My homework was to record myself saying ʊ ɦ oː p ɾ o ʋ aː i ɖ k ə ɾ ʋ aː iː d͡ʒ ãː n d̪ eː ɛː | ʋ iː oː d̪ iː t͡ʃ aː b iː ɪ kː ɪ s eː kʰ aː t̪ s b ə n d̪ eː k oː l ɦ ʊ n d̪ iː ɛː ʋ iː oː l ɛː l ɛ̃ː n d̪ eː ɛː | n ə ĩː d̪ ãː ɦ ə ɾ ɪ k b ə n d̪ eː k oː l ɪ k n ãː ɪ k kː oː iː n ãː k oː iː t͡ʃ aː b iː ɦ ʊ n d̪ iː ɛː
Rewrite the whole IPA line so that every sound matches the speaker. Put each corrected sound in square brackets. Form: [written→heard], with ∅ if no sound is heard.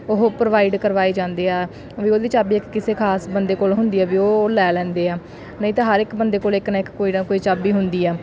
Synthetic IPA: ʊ ɦ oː p ɾ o ʋ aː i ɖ k ə ɾ ʋ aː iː d͡ʒ ãː n d̪ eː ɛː | ʋ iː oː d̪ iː t͡ʃ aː b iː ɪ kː ɪ s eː kʰ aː [t̪→∅] s b ə n d̪ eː k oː l ɦ ʊ n d̪ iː ɛː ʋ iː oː l ɛː l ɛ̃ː n d̪ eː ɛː | n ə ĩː [d̪→t̪] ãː ɦ ə ɾ ɪ k b ə n d̪ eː k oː l ɪ k n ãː ɪ k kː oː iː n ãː k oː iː t͡ʃ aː b iː ɦ ʊ n d̪ iː ɛː